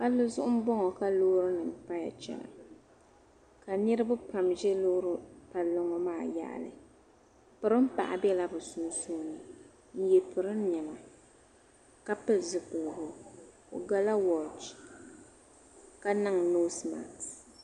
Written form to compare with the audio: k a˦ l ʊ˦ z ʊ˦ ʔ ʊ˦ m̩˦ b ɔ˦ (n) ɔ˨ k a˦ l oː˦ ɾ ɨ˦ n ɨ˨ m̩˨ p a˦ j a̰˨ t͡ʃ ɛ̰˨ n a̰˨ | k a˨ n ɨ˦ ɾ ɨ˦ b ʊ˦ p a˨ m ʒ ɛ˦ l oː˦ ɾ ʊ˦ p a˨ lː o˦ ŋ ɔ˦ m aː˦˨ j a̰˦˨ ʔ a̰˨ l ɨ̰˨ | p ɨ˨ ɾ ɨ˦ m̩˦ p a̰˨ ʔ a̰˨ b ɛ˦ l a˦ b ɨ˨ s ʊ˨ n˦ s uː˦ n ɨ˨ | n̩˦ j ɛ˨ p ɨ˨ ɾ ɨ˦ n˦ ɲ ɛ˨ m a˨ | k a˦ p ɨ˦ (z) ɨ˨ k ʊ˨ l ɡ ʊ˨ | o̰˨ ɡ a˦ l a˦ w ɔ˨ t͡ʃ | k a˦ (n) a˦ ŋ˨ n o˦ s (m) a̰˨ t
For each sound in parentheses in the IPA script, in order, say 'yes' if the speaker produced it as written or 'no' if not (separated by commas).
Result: no, yes, yes, yes